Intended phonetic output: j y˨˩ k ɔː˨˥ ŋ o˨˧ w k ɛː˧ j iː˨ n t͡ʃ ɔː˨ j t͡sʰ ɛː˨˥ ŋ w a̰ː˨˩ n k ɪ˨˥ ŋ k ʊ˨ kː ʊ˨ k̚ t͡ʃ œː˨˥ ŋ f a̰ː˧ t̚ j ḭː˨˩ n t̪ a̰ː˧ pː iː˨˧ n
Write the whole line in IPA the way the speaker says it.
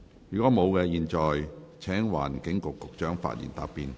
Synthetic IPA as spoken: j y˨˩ k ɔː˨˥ m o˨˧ w k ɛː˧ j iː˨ n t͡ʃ ɔː˨ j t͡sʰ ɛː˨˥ ŋ w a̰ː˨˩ n k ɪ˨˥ ŋ k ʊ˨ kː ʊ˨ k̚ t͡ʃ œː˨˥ ŋ f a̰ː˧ t̚ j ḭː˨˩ n t̪ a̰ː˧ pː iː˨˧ n